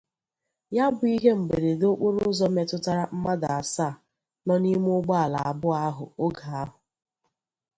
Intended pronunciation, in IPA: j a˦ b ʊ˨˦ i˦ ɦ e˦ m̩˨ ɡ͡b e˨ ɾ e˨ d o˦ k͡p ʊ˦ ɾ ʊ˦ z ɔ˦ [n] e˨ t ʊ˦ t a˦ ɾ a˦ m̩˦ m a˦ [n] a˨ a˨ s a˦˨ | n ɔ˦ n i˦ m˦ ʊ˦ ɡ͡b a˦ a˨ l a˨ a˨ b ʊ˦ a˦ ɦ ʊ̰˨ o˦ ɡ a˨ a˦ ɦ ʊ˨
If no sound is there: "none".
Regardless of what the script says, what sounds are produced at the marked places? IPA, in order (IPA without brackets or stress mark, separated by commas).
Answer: m, d